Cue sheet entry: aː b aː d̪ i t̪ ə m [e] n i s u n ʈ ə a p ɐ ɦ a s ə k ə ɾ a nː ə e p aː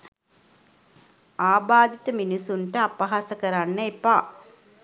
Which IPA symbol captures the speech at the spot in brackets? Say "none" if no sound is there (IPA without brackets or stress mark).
i